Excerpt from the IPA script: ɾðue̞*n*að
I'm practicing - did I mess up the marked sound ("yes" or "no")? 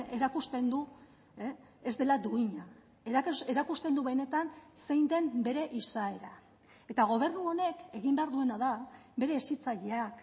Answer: no